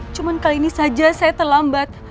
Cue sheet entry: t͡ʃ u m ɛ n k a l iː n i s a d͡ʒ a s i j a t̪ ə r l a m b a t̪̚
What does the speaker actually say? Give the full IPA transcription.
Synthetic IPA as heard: t͡ʃ u m a n k a l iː n i s a d͡ʒ a s a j a t̪ ə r l a m b a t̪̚